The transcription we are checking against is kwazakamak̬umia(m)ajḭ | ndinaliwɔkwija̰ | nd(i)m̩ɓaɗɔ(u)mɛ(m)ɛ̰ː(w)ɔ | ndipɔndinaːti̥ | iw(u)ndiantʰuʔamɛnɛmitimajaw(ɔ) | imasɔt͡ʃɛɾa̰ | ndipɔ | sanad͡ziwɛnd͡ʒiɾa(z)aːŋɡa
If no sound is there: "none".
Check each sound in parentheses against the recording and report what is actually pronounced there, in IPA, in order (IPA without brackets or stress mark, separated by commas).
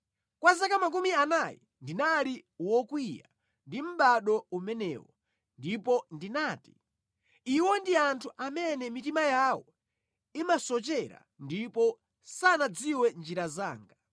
n, i, u, n, w, ɔ, ɔ, z